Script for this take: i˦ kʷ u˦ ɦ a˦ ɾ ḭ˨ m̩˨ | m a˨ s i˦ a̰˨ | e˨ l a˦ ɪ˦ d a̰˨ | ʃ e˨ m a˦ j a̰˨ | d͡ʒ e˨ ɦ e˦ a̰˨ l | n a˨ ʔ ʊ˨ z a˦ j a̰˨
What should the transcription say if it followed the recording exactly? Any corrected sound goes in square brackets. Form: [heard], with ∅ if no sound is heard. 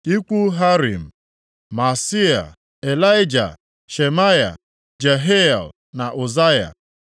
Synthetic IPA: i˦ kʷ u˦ ɦ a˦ ɾ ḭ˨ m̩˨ | m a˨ s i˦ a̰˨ | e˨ l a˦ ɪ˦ [d͡ʒ] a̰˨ | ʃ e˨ m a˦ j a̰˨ | d͡ʒ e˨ ɦ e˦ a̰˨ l | n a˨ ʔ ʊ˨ z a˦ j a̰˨